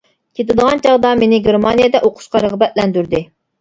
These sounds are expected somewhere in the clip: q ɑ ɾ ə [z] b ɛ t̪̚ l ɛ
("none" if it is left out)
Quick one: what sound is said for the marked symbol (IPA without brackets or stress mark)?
ʁ